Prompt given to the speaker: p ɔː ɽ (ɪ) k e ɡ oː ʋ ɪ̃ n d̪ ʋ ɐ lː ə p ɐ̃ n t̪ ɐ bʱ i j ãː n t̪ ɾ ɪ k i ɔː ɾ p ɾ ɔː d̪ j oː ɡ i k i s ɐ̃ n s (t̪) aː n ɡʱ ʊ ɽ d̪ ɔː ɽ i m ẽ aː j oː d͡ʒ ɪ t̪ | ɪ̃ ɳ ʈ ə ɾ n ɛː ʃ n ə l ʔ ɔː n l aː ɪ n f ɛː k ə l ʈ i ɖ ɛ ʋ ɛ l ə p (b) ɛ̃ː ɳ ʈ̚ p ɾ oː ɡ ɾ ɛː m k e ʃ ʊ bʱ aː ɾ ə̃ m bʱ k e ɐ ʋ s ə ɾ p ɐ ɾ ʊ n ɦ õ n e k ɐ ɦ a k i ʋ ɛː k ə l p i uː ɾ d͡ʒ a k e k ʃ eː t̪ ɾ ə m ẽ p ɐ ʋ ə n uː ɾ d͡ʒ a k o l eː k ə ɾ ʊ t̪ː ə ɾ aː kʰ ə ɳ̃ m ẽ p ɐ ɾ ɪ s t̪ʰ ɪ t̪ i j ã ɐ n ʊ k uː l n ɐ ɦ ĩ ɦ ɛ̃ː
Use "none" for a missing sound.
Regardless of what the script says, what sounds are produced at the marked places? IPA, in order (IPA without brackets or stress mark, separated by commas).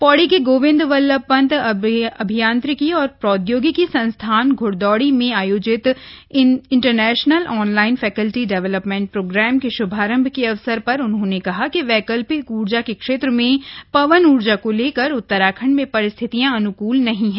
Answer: i, t̪ʰ, m